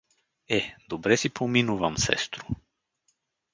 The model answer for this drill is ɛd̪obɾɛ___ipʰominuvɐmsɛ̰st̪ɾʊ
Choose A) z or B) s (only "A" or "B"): B